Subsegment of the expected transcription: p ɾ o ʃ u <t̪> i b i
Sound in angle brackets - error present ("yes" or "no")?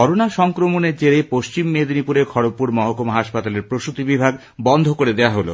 no